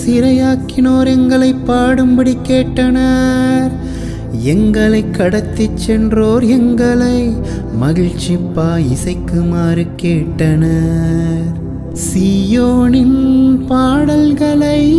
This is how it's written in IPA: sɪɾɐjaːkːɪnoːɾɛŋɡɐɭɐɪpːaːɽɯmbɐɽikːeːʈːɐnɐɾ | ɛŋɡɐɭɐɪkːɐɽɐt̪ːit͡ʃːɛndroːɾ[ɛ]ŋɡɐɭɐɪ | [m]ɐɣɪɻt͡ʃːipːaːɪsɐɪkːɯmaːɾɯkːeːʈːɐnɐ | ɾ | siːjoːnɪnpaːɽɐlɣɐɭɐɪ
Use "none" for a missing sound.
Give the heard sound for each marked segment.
ɛ, m

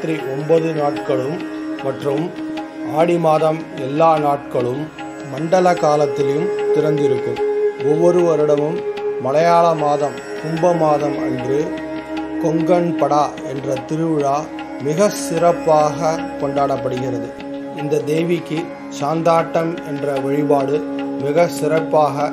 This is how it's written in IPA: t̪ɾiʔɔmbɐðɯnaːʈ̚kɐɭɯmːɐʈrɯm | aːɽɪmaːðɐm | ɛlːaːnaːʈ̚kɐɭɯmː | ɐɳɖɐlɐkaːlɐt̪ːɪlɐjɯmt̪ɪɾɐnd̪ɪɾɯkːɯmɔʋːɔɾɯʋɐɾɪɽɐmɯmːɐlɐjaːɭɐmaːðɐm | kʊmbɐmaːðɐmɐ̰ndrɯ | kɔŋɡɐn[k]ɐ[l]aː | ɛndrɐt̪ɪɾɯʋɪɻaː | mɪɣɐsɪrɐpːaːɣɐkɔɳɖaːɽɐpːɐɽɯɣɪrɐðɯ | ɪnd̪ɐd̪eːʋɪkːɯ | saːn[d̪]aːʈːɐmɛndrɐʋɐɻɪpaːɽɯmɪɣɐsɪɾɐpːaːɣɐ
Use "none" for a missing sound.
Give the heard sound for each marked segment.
p, ɽ, d̪

